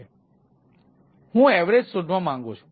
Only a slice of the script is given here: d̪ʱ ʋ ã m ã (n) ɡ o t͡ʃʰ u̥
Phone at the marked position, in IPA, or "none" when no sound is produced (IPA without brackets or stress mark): ŋ